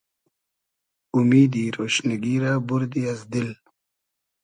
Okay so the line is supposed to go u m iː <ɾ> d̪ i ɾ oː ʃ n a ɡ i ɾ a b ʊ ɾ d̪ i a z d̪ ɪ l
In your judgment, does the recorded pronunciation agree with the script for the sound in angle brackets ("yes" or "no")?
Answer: no